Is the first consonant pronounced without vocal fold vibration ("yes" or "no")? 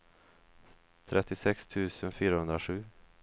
yes